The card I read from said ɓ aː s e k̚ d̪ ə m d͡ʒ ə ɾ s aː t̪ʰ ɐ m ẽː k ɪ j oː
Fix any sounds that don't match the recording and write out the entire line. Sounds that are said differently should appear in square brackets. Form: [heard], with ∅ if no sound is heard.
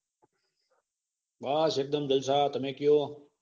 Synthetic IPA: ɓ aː s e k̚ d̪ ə m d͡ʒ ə [l] s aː [t̪] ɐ m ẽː k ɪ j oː